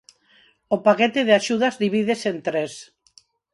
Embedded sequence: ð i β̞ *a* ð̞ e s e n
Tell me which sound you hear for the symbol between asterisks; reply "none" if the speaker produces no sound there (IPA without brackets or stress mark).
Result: i